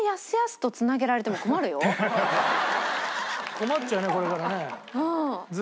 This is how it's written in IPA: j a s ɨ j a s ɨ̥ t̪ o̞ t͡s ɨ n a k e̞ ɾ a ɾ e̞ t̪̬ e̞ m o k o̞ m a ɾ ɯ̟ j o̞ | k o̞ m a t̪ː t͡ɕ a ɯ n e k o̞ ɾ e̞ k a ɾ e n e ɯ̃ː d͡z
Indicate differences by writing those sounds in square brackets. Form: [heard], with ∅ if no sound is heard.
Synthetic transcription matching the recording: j a s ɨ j a s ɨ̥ t̪ o̞ t͡s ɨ n a [ɡ] e̞ ɾ a ɾ e̞ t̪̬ e̞ m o k o̞ m a ɾ ɯ̟ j o̞ | k o̞ m a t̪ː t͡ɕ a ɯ n e k o̞ ɾ e̞ k a ɾ [a] n e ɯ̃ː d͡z